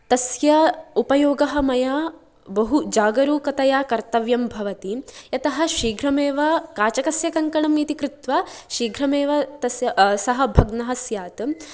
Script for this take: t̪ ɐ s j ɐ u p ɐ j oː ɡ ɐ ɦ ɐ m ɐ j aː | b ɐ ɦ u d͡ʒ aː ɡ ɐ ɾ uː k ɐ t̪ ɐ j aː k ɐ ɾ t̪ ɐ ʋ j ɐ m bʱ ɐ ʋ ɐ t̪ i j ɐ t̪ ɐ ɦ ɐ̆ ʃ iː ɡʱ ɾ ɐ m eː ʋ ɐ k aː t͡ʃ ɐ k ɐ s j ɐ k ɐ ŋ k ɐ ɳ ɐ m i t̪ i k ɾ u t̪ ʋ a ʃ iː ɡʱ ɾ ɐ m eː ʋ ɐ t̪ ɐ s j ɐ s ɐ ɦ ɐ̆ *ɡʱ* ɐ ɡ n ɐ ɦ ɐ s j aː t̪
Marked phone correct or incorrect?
incorrect